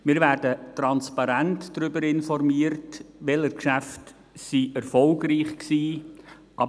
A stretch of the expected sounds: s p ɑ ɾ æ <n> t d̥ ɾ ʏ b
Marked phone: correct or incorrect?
correct